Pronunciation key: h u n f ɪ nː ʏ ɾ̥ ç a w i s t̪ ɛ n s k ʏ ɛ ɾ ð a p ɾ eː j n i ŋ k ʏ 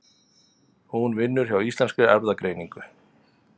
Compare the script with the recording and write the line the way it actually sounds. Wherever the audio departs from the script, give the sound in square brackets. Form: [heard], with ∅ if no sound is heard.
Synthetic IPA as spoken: h u n [v] ɪ nː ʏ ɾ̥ ç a w i s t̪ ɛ n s k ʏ ɛ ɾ ð a [k] ɾ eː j n i ŋ k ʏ